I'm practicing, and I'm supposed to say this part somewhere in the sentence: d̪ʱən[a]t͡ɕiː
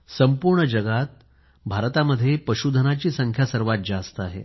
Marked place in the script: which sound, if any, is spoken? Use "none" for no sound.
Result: a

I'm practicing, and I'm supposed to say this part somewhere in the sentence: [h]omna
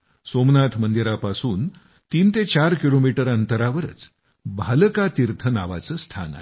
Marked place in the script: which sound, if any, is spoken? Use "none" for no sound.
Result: s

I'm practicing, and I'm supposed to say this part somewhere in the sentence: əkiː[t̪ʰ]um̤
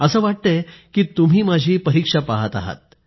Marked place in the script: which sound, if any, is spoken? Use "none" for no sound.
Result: t̪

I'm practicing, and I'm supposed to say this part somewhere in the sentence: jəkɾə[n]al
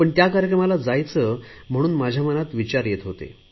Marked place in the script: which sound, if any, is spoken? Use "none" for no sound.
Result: m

